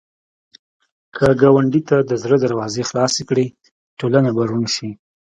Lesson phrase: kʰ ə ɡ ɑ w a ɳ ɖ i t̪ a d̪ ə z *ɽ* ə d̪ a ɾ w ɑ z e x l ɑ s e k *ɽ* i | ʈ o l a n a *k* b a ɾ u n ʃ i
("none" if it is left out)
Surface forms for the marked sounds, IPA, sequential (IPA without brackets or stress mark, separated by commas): ɾ, ɽ, none